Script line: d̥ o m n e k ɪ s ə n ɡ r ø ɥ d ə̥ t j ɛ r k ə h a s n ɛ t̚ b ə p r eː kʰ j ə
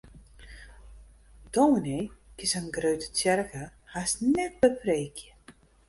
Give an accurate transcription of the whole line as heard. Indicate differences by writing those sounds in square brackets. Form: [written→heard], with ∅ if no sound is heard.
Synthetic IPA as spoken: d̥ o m n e k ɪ s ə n ɡ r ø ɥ [d→t] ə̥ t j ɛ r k ə h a s n ɛ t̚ b ə p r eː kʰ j ə